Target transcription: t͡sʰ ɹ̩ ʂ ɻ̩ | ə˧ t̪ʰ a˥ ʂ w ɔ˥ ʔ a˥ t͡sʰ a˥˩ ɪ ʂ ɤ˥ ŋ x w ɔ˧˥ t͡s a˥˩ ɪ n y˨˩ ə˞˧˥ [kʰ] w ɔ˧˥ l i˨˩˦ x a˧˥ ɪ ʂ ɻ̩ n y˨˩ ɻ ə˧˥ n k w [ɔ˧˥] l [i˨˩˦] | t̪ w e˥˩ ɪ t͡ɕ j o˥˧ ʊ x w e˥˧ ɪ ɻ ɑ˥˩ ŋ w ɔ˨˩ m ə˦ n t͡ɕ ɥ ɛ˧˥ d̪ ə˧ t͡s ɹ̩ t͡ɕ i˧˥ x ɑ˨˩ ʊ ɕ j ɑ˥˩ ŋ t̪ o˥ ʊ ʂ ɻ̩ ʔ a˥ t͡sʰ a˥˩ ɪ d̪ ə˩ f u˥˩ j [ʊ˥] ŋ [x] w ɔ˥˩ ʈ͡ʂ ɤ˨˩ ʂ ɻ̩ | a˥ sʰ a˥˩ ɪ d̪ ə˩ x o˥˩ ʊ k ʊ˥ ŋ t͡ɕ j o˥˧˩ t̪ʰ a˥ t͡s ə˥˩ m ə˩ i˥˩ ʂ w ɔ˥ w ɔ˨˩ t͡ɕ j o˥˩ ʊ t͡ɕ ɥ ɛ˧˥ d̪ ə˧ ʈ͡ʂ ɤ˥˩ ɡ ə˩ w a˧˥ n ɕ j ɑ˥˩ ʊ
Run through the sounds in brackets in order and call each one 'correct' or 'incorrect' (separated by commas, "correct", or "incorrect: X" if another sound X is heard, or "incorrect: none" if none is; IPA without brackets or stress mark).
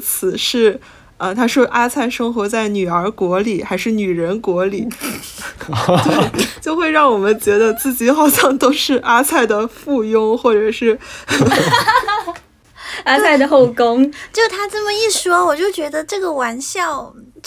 incorrect: k, correct, correct, correct, correct